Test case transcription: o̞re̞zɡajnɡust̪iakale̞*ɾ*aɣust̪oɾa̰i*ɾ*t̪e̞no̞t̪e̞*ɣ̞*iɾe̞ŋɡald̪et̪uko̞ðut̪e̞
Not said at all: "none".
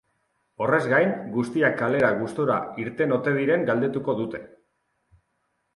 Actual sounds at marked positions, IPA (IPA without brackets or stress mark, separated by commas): ɾ, ɾ, ð̞